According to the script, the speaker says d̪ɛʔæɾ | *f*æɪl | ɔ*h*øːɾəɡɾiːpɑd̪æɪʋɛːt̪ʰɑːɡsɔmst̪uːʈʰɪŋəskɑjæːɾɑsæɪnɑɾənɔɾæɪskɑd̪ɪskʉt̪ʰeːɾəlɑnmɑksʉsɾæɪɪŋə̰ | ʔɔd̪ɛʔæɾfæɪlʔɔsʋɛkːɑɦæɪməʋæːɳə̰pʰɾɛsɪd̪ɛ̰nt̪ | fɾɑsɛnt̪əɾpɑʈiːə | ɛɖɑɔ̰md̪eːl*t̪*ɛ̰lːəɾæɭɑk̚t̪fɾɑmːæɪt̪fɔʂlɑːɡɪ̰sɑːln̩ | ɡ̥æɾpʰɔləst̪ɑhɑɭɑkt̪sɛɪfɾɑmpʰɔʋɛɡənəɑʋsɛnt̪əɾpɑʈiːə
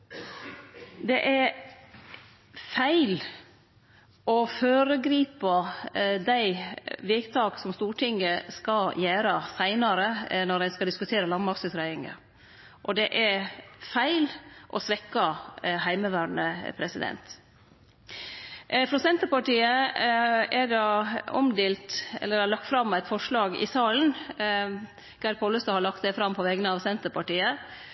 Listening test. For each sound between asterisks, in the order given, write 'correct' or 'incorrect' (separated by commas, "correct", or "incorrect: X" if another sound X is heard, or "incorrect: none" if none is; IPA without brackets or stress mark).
correct, incorrect: f, correct